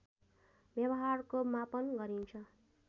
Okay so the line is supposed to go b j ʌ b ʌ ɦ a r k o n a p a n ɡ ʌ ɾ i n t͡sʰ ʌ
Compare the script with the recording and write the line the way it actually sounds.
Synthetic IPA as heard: b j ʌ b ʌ ɦ a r k o m a p ʌ n ɡ ʌ ɾ i n t͡sʰ ʌ

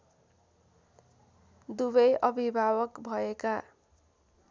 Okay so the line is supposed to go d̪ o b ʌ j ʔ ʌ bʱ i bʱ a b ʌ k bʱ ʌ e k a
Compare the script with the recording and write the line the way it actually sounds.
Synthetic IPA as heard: d̪ u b ʌ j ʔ ʌ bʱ i bʱ a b ʌ k bʱ ʌ e k a

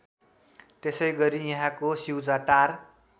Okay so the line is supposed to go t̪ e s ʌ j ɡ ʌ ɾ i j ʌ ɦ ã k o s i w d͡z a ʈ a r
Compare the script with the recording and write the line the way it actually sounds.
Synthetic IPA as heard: t̪ e s ʌ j ɡ ʌ ɾ i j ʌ ɦ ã k o s i w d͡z a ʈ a r

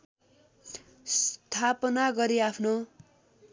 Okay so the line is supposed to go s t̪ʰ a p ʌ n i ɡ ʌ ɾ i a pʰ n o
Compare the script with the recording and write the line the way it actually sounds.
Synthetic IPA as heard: s t̪ʰ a p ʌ n a ɡ ʌ ɾ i a pʰ n o

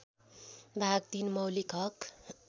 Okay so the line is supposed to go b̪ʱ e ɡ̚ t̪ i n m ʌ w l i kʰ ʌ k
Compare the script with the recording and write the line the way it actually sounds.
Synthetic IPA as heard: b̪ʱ a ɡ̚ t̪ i n m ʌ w l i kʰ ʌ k

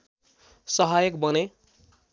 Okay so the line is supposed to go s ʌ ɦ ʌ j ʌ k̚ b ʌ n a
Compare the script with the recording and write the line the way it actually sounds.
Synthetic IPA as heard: s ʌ ɦ a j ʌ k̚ b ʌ n e

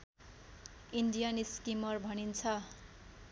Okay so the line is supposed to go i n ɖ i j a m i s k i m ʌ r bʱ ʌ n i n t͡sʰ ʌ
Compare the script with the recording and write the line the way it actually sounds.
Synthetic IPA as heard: i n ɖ i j a n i s k i m ʌ r bʱ ʌ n i n t͡sʰ ʌ

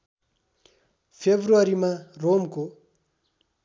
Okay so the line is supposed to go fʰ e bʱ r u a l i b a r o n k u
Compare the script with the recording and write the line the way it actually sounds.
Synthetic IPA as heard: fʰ e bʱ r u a ɾ i m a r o m k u

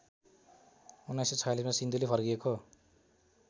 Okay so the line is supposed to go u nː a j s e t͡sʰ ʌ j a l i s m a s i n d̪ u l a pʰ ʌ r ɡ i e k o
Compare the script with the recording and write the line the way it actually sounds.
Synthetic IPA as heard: u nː a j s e t͡sʰ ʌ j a l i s m a s i n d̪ u l e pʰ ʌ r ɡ i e k o

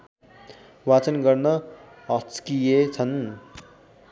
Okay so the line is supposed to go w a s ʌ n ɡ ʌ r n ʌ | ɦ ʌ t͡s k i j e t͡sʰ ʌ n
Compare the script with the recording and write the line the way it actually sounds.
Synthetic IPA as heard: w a t͡s ʌ n ɡ ʌ r n ʌ | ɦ ʌ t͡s k i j e t͡sʰ ʌ n

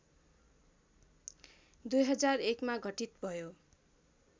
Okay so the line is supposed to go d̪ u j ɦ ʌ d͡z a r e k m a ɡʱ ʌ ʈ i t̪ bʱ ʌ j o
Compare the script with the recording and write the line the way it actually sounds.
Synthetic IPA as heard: d̪ u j ɦ ʌ d͡z a r e k m a ɡʱ ʌ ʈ i t̪ bʱ ʌ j o

